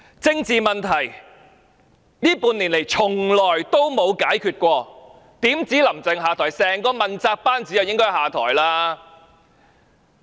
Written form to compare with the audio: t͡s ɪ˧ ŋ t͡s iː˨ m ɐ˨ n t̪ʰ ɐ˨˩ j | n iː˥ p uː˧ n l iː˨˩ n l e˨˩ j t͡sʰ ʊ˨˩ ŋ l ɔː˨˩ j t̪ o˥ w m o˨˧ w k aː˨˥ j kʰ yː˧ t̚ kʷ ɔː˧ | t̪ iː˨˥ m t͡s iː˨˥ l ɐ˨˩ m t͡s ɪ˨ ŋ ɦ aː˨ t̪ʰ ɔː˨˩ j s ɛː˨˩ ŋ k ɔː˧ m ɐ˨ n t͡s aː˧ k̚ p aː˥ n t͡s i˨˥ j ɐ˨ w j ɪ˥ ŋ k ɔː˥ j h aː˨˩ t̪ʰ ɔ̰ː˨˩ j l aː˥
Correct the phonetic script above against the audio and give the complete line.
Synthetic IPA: t͡s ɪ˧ ŋ t͡s iː˨ m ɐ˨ n t̪ʰ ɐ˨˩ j | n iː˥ p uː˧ n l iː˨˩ n l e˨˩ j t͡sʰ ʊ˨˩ ŋ l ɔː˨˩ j t̪ o˥ w m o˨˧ w k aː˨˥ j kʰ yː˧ t̚ kʷ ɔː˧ | t̪ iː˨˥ m t͡s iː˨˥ l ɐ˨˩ m t͡s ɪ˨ ŋ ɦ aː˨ t̪ʰ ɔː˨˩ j s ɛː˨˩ ŋ k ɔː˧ m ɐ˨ n t͡s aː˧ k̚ p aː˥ n t͡s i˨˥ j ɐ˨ w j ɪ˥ ŋ k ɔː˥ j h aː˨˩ t̪ʰ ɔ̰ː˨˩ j l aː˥

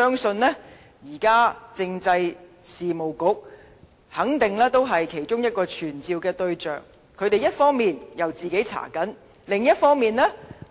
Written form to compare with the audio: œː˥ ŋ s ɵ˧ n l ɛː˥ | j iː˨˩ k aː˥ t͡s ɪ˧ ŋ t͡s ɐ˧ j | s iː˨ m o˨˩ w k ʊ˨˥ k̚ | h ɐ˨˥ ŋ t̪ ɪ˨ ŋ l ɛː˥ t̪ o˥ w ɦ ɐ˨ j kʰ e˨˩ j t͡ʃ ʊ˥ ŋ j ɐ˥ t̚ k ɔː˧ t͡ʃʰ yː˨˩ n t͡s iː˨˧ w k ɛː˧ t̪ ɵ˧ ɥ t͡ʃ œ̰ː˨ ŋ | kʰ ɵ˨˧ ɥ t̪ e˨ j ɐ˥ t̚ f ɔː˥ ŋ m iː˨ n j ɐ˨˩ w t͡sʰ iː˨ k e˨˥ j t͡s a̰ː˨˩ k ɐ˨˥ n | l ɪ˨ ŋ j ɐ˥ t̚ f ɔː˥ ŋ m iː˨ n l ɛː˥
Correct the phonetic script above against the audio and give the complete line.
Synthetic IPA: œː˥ ŋ s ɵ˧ n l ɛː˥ | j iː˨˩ k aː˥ t͡s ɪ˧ ŋ t͡s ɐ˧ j | s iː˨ m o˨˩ w k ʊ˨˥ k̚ | h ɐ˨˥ ŋ t̪ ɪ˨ ŋ l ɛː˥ t̪ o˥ w ɦ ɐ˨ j kʰ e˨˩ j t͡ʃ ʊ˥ ŋ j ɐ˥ t̚ k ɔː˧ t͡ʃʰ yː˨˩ n t͡s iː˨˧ w k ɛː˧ t̪ ɵ˧ ɥ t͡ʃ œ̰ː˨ ŋ | kʰ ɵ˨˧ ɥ t̪ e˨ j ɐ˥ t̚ f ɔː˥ ŋ m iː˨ n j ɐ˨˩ w t͡s iː˨ k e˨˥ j t͡sʰ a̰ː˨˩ k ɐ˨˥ n | l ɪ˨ ŋ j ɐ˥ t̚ f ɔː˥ ŋ m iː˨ n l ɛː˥

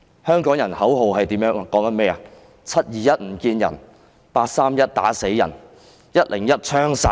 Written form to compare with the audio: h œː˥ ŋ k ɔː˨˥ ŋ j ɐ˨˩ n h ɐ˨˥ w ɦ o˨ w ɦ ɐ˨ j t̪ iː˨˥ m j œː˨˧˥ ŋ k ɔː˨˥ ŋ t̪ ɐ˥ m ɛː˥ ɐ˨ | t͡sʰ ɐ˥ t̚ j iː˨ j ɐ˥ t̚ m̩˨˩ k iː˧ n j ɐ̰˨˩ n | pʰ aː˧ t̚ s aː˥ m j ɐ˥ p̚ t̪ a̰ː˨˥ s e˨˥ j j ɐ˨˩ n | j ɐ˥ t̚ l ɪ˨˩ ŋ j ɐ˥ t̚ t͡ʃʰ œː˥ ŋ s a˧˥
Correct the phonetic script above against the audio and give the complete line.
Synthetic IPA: h œː˥ ŋ k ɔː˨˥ ŋ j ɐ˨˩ n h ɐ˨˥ w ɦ o˨ w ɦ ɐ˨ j t̪ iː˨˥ m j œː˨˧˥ ŋ k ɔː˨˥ ŋ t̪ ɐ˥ m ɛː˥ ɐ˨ | t͡sʰ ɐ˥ t̚ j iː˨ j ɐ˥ t̚ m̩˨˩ k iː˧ n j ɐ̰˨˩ n | p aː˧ t̚ s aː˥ m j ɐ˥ t̚ t̪ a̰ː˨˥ s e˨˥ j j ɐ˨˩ n | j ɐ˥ t̚ l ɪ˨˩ ŋ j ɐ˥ t̚ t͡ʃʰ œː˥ ŋ s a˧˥

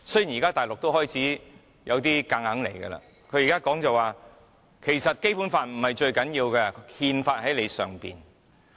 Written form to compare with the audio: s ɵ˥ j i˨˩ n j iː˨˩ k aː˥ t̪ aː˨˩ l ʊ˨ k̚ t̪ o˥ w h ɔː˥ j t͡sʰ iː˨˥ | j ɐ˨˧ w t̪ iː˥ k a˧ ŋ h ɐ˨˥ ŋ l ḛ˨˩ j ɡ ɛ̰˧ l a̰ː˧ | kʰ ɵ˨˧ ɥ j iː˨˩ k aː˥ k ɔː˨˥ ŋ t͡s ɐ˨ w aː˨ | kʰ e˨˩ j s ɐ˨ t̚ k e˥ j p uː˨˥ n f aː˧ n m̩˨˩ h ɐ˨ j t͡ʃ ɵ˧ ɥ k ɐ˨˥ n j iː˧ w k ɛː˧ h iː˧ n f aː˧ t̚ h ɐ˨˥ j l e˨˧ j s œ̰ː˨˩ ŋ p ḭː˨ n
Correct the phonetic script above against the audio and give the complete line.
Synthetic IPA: s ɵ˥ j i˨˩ n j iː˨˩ k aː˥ t̪ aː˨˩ l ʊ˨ k̚ t̪ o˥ w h ɔː˥ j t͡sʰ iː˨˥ | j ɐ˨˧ w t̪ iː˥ k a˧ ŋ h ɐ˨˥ ŋ l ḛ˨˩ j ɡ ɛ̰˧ l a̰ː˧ | kʰ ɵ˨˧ ɥ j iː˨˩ k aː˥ k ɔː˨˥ ŋ t͡s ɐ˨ w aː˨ | kʰ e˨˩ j s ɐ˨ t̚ k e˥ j p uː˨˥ n f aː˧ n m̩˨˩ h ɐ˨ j t͡ʃ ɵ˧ ɥ k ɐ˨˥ n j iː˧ w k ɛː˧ h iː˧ n f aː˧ t̚ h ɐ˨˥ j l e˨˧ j s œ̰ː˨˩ ŋ p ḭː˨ n

